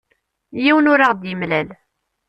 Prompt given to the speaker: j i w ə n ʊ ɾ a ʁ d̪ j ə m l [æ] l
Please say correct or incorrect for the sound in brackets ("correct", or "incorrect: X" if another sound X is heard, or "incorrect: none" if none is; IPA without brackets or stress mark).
correct